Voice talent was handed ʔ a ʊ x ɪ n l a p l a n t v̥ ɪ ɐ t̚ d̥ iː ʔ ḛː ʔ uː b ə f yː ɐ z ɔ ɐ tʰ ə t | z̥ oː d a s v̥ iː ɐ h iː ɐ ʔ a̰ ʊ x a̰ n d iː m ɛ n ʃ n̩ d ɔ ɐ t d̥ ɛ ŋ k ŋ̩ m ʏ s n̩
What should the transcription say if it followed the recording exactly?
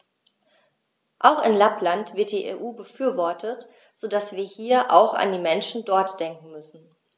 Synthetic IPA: ʔ a ʊ x ɪ n l a p l a n t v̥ ɪ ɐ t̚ d̥ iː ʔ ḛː ʔ uː b ə f yː ɐ v ɔ ɐ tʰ ə t | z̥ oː d a s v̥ iː ɐ h iː ɐ ʔ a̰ ʊ x a̰ n d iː m ɛ n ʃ n̩ d ɔ ɐ t d̥ ɛ ŋ k ŋ̩ m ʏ s n̩